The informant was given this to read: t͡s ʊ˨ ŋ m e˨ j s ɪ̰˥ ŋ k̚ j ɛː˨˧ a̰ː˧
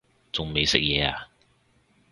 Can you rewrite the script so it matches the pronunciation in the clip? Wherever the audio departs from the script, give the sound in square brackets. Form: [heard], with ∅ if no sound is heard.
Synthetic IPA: t͡s ʊ˨ ŋ m e˨ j s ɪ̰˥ [∅] k̚ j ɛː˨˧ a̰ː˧